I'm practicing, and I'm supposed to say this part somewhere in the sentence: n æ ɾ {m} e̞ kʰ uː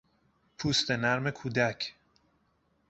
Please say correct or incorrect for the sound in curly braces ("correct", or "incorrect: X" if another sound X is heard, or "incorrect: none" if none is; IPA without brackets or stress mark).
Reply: correct